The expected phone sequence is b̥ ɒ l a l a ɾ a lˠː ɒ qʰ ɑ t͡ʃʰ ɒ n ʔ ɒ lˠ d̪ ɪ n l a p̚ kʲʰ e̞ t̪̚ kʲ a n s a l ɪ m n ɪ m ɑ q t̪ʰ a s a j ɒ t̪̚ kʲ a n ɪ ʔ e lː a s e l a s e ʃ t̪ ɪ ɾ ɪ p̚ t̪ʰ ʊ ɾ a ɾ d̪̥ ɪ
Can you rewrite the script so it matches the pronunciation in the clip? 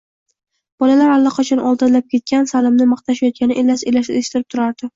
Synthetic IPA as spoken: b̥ ɒ l a l a ɾ a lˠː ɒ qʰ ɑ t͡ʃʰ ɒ n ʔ ɒ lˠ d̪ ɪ n l a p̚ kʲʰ e̞ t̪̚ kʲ a n s a l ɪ m n ɪ m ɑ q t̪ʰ a ʃ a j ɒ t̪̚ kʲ a n ɪ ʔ e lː a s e l a ʃ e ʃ t̪ ɪ ɾ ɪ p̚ t̪ʰ ʊ ɾ a ɾ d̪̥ ɪ